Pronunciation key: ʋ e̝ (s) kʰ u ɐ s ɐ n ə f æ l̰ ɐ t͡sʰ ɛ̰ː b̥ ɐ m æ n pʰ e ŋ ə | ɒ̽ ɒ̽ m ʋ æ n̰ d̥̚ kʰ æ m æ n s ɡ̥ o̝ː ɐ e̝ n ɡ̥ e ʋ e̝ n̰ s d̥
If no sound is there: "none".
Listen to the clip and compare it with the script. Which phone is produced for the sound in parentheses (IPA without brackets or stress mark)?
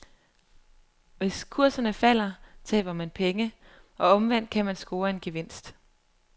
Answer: s